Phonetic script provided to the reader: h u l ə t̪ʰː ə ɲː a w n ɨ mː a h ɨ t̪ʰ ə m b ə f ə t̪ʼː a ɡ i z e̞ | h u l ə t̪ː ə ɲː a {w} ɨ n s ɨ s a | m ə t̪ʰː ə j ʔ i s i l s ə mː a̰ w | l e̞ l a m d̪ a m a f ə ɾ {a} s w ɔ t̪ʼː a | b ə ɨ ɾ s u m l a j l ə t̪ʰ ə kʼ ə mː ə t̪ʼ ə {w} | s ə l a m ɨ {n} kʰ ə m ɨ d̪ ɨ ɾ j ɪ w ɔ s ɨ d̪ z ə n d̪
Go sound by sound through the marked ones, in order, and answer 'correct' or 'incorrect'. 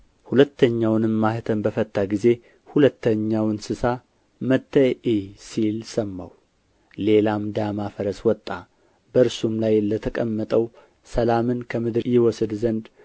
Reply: correct, incorrect: ə, correct, correct

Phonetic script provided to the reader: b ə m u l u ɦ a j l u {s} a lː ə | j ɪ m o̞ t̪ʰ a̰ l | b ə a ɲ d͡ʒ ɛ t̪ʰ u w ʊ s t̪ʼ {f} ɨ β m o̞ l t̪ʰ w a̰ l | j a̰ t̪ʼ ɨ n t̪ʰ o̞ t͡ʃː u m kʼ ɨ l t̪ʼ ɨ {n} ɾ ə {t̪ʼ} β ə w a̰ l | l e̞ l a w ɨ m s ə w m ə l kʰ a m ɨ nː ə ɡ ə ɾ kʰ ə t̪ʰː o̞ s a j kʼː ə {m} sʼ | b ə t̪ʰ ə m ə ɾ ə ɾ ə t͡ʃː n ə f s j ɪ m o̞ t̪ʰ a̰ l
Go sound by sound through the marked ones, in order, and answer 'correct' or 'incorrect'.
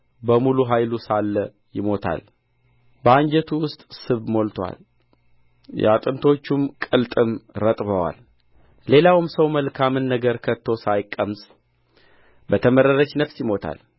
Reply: correct, incorrect: s, incorrect: m, correct, correct

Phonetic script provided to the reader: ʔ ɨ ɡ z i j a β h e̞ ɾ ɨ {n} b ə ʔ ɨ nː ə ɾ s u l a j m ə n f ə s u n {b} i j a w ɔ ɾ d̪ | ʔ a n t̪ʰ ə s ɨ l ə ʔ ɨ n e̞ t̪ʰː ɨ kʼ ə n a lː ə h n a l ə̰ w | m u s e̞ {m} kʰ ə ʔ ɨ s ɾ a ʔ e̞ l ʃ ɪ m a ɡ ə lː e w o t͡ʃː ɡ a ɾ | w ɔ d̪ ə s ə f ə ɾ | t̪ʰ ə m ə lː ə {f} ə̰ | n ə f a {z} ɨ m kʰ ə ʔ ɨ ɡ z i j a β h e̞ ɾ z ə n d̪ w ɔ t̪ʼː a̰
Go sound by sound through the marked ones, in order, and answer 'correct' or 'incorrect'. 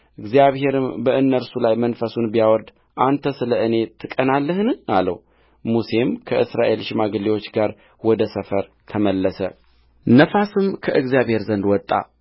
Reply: incorrect: m, correct, correct, incorrect: s, incorrect: s

